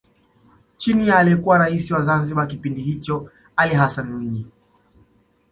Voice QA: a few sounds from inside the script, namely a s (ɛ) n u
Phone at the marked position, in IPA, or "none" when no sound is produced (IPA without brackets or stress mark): a